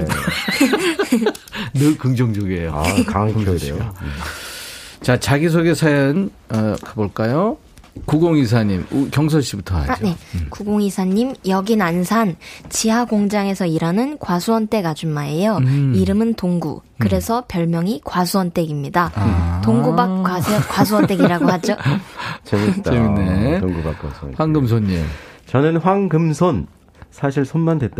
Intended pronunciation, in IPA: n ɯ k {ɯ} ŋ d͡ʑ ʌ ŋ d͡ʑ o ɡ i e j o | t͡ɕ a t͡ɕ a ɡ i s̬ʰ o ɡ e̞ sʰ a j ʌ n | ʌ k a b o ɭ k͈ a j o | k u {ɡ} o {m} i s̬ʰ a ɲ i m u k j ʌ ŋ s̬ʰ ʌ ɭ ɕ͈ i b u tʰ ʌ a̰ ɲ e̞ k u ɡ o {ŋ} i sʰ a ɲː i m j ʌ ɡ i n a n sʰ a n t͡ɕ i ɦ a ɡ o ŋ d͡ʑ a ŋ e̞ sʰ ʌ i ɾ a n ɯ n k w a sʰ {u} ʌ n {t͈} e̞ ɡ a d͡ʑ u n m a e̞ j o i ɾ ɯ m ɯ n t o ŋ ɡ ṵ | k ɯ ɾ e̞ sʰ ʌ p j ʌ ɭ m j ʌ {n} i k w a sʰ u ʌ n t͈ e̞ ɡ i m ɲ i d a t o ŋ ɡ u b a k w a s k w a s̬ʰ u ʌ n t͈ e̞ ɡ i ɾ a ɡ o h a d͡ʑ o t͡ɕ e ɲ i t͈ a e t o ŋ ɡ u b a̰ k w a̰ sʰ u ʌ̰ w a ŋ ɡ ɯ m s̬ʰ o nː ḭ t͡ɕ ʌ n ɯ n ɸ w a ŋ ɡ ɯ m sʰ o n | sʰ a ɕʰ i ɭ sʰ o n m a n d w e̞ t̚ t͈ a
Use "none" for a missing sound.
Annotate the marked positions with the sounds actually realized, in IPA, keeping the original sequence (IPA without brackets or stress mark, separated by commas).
ɯ, ɡ, ŋ, ŋ, u, t͈, ŋ